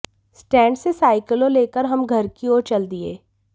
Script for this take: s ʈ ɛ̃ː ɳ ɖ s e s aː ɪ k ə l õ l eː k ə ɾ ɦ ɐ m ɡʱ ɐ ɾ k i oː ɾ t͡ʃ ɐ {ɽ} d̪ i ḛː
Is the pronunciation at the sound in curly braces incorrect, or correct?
incorrect